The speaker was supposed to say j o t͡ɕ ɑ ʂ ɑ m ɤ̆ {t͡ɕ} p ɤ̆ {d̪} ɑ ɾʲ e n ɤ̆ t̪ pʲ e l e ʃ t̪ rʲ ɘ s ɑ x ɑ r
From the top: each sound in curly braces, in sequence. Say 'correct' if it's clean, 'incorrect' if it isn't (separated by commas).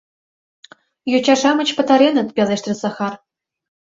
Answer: correct, incorrect